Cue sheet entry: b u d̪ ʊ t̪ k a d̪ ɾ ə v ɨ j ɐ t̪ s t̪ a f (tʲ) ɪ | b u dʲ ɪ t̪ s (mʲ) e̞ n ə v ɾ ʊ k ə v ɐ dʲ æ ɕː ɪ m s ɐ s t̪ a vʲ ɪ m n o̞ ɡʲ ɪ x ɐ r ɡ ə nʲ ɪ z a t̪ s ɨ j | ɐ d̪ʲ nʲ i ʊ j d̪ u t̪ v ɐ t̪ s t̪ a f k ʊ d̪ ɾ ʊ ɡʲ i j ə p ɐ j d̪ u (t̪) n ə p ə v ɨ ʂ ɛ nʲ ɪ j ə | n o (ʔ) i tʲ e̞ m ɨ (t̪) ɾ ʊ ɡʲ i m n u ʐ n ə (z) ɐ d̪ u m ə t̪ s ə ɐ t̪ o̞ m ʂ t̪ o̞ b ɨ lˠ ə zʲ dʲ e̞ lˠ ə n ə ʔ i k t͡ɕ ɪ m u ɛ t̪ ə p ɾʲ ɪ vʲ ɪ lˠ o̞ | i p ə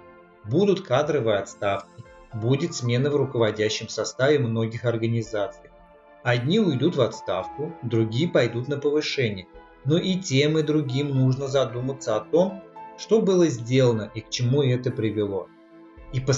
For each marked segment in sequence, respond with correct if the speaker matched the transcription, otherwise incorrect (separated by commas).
incorrect, correct, correct, correct, incorrect, correct